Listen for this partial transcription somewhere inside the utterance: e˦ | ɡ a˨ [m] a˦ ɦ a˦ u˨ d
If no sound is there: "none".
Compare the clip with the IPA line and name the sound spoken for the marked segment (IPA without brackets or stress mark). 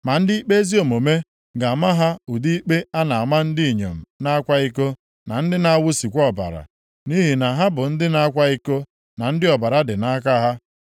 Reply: m